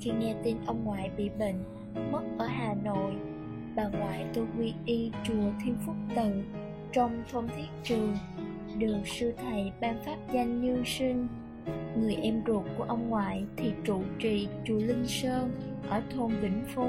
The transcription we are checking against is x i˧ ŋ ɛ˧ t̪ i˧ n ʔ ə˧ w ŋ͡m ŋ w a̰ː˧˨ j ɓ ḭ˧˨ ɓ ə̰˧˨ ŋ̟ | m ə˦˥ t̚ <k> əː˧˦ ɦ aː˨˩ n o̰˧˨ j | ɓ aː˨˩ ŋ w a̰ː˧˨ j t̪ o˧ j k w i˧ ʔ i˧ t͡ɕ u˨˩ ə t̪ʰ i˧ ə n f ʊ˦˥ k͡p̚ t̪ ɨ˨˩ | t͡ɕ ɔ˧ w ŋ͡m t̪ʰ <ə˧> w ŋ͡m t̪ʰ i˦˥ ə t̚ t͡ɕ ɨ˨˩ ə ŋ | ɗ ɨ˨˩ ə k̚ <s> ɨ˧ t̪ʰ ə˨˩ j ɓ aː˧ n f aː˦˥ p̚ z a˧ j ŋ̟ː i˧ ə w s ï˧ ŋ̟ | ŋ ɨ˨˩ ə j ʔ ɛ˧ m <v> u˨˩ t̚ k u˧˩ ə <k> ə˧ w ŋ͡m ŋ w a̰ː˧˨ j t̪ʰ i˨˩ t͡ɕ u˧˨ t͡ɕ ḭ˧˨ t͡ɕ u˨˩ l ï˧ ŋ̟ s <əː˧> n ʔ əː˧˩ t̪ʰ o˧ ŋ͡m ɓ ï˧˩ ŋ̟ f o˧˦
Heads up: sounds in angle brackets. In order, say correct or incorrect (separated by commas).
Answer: incorrect, correct, correct, incorrect, incorrect, correct